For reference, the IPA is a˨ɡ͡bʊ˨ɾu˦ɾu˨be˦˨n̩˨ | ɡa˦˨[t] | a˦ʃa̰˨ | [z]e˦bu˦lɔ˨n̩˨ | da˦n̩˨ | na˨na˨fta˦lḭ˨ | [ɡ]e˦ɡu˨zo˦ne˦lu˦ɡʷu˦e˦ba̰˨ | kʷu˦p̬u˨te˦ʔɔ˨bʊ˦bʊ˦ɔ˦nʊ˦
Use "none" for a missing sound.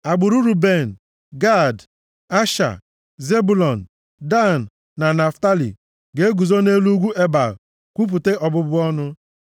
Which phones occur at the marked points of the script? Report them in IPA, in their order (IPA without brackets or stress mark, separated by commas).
d, z, ɡ